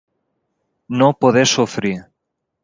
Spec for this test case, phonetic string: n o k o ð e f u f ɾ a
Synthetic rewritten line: n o p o ð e s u f ɾ i